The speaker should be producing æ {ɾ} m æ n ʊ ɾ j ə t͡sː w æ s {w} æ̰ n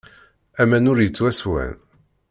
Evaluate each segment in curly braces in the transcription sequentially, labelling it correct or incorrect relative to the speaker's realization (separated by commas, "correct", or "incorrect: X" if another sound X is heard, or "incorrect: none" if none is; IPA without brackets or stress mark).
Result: incorrect: none, correct